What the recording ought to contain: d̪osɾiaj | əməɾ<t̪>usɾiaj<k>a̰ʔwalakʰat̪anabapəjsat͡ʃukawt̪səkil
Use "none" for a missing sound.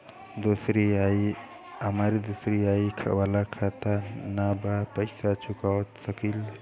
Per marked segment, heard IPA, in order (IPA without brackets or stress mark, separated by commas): d̪, kʰ